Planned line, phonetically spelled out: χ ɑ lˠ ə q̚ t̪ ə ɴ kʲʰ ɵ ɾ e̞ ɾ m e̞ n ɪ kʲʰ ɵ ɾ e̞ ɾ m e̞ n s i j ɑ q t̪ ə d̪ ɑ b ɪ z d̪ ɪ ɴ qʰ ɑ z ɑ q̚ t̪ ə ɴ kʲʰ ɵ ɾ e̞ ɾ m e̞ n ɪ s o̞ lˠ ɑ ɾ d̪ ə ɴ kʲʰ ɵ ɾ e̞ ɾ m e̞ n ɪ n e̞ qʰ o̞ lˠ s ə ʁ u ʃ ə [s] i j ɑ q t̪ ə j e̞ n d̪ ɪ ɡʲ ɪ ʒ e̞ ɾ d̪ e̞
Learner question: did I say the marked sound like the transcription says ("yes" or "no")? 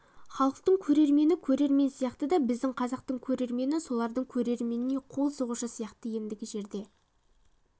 yes